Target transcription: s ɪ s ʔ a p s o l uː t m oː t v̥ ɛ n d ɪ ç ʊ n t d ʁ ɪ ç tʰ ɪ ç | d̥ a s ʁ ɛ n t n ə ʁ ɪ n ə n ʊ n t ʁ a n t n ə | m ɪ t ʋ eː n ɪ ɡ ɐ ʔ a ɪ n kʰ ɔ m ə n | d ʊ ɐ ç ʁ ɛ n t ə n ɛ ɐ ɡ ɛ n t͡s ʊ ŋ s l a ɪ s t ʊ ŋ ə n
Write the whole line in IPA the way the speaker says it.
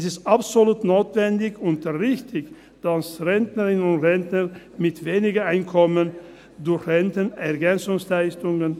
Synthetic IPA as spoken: s ɪ s t a p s o l uː t n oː t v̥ ɛ n d ɪ ç ʊ n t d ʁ ɪ ç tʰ ɪ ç | d̥ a s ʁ ɛ n t n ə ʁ ɪ n ə n ʊ n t ʁ ɛ n t n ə | m ɪ t v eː n ɪ ɡ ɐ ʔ a ɪ n kʰ ɔ m ə n | d ʊ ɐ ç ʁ ɛ n t ə n ɛ ɐ ɡ ɛ n t͡s ʊ ŋ s l a ɪ s t ʊ ŋ ə n